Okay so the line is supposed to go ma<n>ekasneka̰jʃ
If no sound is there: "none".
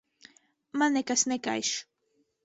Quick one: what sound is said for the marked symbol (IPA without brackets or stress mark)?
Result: n